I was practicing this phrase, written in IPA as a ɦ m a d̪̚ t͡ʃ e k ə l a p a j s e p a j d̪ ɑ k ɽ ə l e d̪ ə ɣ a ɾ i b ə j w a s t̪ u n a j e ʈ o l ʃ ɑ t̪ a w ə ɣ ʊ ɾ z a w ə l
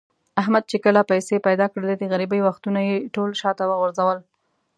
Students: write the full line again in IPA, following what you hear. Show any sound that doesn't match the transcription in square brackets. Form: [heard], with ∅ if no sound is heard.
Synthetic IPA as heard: a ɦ m a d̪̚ t͡ʃ e k ə l a p a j s e p a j d̪ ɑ k ɽ ə l e d̪ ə ɣ a ɾ i b ə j w a [x] t̪ u n a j e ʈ o l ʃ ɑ t̪ a w ə ɣ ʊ ɾ z a w ə l